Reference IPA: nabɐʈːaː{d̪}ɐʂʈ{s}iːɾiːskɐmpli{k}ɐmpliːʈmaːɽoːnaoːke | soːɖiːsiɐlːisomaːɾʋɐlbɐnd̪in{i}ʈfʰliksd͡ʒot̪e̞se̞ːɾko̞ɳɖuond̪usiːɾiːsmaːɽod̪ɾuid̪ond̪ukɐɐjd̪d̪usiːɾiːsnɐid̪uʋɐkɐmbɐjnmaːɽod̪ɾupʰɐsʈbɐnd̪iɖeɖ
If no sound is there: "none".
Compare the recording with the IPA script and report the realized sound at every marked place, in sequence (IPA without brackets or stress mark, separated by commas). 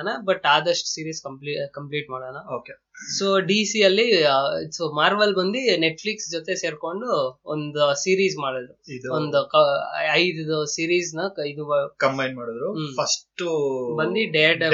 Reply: d̪, s, k, e